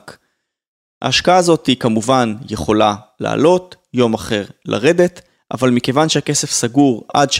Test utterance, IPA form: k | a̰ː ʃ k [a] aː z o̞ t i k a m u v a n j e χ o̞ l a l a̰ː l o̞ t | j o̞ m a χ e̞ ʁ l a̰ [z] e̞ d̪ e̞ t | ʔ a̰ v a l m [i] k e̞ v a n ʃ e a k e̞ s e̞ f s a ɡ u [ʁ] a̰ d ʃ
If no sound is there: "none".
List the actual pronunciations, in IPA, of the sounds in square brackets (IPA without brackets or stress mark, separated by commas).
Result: a, ʁ, i, ʁ